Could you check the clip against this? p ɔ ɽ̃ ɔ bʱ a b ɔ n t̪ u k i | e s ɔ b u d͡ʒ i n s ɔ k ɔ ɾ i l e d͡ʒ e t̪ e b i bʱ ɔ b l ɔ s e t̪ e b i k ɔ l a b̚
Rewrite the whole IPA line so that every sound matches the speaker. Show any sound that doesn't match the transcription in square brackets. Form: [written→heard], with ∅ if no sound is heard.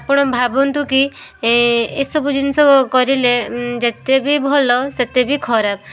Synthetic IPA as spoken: p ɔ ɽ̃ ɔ bʱ a b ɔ n t̪ u k i | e s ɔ b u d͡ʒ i n s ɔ k ɔ ɾ i l e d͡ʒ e t̪ e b i bʱ ɔ [b→∅] l ɔ s e t̪ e b i [k→kʰ] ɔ [l→ɾ] a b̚

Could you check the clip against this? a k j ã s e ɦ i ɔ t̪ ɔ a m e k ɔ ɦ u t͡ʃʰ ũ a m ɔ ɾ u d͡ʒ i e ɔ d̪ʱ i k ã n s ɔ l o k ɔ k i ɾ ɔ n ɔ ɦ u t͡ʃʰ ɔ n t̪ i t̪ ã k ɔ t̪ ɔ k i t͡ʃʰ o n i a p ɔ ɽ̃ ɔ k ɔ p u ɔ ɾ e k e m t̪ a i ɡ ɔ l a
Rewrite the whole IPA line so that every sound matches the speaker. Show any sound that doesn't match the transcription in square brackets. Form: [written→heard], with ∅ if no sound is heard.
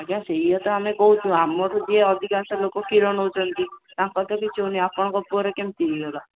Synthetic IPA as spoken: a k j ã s e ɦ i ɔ t̪ ɔ a m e k ɔ ɦ u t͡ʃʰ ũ a m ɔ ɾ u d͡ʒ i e ɔ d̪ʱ i k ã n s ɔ l o k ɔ k i ɾ ɔ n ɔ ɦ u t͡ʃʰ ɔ n t̪ i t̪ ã k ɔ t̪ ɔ k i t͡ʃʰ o n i a p ɔ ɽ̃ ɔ k ɔ p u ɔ ɾ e k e m t̪ [a→i] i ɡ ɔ l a

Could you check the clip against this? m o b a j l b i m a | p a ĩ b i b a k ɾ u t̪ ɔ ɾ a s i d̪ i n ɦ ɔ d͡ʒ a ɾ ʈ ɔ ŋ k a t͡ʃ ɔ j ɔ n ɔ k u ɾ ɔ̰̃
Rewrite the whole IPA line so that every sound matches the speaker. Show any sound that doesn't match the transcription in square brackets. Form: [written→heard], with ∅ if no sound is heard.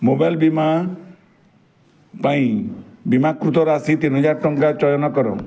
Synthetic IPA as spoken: m o b a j l b i m a | p a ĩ b i [b→m] a k ɾ u t̪ ɔ ɾ a s i [d̪→t̪] i n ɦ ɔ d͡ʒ a ɾ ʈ ɔ ŋ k a t͡ʃ ɔ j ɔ n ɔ k [u→ɔ] ɾ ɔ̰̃

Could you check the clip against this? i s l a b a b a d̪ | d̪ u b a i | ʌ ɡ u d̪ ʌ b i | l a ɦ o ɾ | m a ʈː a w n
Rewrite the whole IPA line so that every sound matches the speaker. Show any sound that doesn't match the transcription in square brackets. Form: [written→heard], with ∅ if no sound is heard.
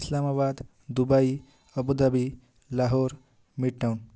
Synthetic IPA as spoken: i s l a [b→m] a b a d̪ | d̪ u b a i | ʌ [ɡ→b] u d̪ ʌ b i | l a ɦ o ɾ | m [a→i] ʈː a w n

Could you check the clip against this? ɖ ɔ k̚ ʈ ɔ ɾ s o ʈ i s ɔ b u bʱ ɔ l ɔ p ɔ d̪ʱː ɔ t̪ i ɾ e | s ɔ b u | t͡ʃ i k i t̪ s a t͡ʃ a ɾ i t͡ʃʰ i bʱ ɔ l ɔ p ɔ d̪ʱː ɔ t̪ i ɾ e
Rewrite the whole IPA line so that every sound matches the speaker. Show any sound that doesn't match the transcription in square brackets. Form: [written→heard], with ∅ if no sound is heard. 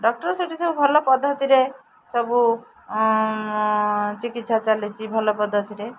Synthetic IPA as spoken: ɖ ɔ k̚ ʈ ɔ ɾ s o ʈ i s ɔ b u bʱ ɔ l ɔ p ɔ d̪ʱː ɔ t̪ i ɾ e | s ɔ b u | t͡ʃ i k i t̪ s a t͡ʃ a [ɾ→l] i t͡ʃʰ i bʱ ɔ l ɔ p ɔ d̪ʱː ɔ t̪ i ɾ e

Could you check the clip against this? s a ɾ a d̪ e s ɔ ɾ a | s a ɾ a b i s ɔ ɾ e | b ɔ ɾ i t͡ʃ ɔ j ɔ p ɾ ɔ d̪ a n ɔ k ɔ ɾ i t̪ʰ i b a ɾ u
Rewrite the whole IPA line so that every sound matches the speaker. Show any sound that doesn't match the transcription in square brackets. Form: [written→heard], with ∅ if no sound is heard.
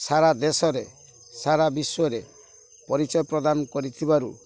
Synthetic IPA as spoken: s a ɾ a d̪ e s ɔ ɾ [a→e] | s a ɾ a b i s ɔ ɾ e | [b→p] ɔ ɾ i t͡ʃ ɔ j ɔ p ɾ ɔ d̪ a n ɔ k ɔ ɾ i t̪ʰ i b a ɾ u

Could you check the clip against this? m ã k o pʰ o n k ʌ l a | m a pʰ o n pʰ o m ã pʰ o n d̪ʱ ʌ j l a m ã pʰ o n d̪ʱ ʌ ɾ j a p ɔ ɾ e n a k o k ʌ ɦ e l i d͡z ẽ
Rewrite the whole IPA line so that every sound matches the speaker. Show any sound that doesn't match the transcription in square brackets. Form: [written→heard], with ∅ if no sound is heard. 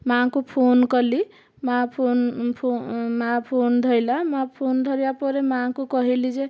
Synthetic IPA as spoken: m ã k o pʰ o n k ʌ l [a→i] | m a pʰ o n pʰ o m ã pʰ o n d̪ʱ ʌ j l a m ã pʰ o n d̪ʱ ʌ ɾ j a p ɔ ɾ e [n→m] a k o k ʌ ɦ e l i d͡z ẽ

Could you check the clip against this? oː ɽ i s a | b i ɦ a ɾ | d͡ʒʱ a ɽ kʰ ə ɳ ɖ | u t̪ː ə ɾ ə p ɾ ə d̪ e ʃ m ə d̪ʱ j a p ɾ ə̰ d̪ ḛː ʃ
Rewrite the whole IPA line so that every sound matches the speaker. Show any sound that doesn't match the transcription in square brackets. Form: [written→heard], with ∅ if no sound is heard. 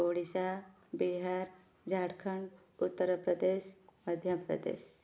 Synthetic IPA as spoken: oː ɽ i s a | b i ɦ a ɾ | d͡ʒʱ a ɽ kʰ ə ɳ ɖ | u t̪ː ə ɾ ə p ɾ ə d̪ e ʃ m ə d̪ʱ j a p ɾ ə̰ d̪ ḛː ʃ

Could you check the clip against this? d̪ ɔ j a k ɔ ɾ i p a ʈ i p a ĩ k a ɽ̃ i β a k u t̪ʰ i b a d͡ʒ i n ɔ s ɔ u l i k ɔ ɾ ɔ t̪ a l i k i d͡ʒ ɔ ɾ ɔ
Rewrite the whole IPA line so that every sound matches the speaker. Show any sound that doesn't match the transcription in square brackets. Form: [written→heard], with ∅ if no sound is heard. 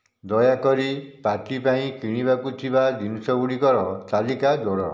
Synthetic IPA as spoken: d̪ ɔ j a k ɔ ɾ i p a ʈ i p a ĩ k [a→i] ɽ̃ i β a k u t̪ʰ i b a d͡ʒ i n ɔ s ɔ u [l→ɽ] i k ɔ ɾ ɔ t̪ a l i k [i→a] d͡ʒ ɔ [ɾ→ɽ] ɔ

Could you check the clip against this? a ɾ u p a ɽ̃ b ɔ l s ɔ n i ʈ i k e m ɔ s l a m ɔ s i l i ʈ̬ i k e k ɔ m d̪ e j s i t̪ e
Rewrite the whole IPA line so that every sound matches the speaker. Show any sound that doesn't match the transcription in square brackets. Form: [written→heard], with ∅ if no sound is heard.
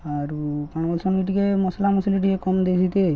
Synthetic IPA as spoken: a ɾ u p a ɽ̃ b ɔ l s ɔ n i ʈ i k e m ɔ s l a m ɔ s i l i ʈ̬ i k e k ɔ m d̪ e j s i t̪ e

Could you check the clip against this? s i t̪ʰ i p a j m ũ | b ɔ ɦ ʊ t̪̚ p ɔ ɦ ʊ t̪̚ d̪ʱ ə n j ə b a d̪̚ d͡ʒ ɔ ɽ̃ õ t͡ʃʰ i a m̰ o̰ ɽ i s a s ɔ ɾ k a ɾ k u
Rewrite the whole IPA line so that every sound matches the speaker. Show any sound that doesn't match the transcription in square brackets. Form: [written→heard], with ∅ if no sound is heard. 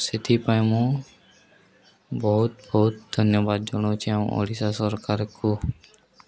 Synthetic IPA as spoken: s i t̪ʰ i p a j m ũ | b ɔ ɦ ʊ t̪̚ [p→b] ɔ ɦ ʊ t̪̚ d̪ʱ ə n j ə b a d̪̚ d͡ʒ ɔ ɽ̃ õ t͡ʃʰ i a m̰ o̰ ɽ i s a s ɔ ɾ k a ɾ k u

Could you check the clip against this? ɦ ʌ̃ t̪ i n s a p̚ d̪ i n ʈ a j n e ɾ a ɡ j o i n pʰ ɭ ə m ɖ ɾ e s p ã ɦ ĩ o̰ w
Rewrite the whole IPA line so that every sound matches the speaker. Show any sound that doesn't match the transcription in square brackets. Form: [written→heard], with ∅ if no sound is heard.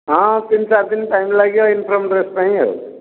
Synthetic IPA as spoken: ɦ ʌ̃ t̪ i n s a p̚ d̪ i n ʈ a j [n→m] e [ɾ→l] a ɡ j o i n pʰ [ɭ→ɾ] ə m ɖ ɾ e s p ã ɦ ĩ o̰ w

